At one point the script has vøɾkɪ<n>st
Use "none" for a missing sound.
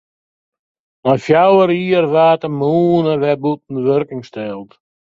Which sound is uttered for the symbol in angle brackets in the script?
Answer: ŋ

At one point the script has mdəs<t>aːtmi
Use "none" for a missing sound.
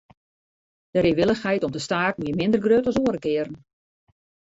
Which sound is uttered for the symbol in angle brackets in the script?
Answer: t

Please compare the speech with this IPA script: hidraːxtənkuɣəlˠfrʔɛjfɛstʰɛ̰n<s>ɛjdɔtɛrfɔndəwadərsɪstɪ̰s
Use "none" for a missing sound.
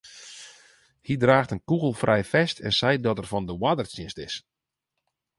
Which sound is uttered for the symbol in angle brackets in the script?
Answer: s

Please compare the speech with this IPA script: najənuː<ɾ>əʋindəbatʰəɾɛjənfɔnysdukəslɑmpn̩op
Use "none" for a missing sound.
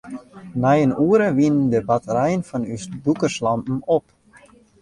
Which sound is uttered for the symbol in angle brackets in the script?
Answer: ɾ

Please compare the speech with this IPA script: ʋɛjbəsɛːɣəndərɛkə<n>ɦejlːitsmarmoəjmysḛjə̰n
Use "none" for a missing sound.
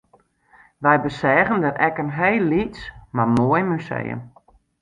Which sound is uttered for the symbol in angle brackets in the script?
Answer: n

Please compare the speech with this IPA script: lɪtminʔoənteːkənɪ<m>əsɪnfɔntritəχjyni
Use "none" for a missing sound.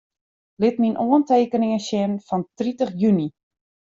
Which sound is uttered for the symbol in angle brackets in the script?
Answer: ŋ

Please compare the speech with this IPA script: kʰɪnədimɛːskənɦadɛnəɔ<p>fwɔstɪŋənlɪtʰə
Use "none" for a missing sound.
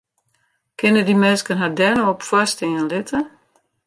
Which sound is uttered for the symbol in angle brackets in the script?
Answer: p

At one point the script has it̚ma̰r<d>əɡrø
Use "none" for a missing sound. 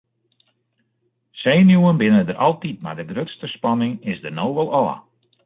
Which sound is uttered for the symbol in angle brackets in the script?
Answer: d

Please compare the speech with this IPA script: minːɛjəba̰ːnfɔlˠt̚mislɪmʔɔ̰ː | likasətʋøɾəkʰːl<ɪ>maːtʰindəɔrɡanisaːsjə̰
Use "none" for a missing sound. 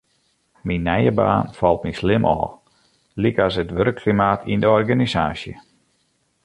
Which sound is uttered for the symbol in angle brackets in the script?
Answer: i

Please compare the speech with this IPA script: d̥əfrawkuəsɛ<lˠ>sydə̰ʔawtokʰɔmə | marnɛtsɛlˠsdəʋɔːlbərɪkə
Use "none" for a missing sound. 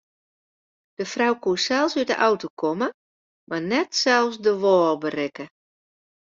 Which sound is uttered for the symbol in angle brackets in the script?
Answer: lˠ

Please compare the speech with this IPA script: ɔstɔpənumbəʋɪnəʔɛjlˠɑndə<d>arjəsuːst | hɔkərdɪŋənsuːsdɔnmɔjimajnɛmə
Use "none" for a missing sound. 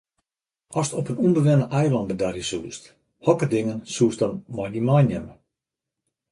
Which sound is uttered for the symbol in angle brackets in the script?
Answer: d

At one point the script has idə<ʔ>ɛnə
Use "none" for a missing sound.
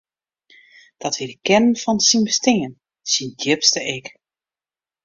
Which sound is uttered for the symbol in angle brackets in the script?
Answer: k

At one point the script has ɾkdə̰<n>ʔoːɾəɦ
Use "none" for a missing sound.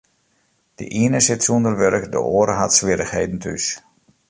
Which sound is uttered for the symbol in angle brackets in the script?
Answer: none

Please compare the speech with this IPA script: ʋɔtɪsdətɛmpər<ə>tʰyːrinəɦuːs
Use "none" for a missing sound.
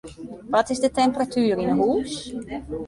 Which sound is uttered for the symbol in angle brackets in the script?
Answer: a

